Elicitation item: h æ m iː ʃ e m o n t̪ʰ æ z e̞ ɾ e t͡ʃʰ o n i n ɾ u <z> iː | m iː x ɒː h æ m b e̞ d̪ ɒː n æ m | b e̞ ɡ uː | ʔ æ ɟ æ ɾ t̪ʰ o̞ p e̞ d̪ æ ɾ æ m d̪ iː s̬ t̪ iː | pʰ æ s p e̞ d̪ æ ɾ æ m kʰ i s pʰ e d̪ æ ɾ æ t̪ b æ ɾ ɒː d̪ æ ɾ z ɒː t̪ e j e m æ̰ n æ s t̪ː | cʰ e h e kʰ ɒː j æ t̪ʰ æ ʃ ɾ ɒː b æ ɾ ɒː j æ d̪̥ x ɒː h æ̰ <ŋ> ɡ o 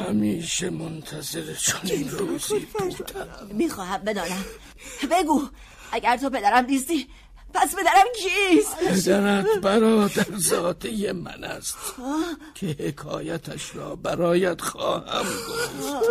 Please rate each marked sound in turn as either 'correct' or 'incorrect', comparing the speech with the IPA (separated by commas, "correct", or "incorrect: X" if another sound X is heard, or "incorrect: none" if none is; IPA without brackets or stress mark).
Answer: correct, incorrect: m